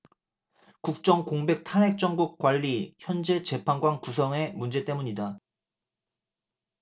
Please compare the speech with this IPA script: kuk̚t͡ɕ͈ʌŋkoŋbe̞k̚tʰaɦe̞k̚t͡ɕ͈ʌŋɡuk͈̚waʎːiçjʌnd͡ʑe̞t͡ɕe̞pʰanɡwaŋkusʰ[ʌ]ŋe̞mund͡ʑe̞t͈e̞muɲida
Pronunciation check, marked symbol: correct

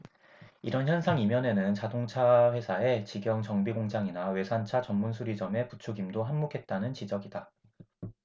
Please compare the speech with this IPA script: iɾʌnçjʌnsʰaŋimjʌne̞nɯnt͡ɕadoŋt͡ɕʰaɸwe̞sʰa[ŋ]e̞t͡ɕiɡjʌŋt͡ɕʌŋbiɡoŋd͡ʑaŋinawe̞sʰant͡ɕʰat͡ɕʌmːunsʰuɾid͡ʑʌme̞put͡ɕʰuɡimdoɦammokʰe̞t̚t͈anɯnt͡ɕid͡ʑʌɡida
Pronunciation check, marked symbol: incorrect: none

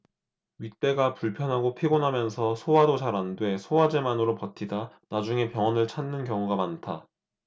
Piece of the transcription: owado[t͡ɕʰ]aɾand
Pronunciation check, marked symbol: incorrect: t͡ɕ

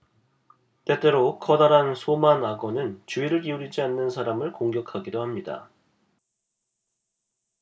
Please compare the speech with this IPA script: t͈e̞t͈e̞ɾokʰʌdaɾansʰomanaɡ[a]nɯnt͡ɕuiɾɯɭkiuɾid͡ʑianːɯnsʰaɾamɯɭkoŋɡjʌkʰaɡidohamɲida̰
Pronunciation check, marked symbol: incorrect: ʌ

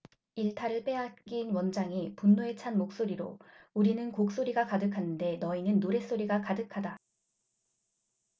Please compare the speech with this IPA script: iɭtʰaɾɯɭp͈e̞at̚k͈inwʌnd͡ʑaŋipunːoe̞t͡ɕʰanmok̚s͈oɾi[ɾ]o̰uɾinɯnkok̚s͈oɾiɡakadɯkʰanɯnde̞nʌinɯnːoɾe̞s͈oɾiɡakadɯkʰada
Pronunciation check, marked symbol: correct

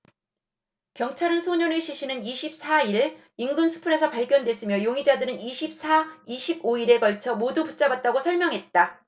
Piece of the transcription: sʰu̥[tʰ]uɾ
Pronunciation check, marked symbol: incorrect: pʰ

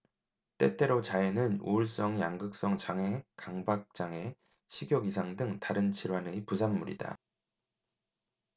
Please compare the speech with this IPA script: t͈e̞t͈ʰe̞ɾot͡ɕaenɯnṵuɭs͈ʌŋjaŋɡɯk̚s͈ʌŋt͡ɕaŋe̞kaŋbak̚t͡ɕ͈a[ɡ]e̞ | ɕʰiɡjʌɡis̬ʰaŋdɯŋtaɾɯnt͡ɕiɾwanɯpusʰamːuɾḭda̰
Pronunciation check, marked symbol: incorrect: ŋ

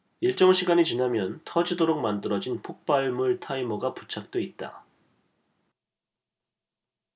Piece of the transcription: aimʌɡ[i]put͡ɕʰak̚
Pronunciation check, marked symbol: incorrect: a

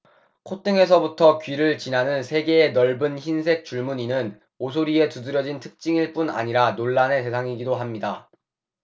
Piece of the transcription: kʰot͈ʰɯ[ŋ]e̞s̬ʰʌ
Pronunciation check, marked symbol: correct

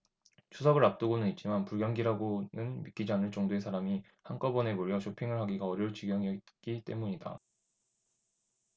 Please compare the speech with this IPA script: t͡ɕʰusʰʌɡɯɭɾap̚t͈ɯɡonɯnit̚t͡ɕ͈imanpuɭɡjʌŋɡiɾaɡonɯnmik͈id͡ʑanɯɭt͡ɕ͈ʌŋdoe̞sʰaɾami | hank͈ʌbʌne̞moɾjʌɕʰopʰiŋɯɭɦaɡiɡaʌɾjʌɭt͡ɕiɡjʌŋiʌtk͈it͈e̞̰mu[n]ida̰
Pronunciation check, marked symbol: incorrect: ɲ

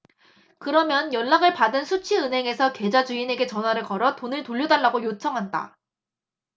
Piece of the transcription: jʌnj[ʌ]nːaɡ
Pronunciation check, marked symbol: correct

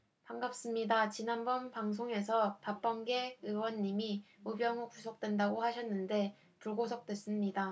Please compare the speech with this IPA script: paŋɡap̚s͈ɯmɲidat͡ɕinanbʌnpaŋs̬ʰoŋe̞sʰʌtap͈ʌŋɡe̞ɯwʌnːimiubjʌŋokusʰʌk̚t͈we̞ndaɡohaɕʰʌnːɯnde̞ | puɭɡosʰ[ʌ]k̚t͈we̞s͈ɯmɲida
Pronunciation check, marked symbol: correct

